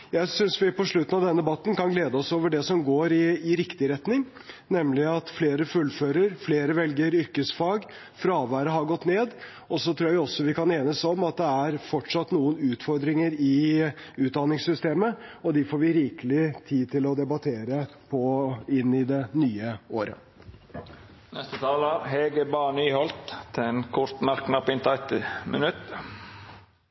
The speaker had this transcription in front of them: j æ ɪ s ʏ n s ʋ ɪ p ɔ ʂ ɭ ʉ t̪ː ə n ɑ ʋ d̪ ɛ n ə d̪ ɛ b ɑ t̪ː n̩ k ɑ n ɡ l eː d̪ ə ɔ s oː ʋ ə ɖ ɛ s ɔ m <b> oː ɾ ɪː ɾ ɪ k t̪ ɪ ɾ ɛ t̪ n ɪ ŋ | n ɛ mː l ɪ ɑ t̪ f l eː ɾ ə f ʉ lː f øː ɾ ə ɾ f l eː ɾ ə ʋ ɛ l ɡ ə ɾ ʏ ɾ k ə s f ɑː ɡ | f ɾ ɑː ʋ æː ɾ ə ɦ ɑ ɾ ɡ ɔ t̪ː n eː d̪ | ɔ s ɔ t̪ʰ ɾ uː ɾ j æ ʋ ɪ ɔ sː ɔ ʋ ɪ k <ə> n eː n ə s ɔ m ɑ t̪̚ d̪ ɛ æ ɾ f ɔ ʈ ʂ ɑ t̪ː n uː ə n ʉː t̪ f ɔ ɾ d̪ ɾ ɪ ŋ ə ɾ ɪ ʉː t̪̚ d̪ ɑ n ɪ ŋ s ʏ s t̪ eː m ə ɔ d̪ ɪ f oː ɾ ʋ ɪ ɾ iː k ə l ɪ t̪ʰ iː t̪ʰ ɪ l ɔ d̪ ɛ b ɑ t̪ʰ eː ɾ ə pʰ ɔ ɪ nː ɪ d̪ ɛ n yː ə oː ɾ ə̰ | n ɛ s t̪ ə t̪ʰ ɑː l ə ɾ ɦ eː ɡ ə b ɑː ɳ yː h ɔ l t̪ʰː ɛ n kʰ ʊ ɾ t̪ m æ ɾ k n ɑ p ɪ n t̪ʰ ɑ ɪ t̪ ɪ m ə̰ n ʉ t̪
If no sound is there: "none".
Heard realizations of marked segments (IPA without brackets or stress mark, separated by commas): ɡ, ɑ